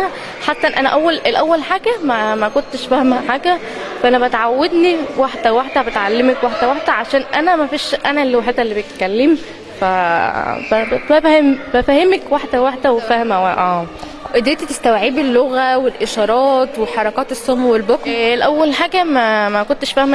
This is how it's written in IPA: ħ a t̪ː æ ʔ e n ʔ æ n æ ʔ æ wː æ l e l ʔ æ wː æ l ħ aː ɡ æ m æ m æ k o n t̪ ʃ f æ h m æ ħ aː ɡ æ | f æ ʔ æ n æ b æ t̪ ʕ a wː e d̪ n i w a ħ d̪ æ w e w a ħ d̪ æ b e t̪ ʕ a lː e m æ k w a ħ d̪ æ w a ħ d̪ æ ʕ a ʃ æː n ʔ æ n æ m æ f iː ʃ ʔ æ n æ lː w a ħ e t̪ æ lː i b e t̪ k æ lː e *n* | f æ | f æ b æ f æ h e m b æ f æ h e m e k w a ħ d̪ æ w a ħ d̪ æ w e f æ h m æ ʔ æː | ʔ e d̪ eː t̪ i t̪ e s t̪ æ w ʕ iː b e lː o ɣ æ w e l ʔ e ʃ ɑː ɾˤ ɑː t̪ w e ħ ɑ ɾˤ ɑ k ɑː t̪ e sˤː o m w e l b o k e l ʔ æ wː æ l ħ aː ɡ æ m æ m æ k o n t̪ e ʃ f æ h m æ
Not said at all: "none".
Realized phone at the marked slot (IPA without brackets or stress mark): m